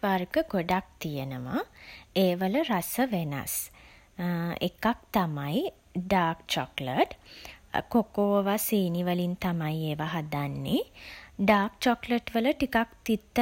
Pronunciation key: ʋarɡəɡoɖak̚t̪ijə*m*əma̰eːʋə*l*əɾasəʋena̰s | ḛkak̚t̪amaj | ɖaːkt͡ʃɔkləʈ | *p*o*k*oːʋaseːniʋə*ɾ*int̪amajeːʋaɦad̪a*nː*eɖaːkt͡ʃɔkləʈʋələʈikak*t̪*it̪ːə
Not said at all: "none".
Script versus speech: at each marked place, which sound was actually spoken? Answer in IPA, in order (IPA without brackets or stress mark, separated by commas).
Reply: n, l, k, k, l, nː, t̪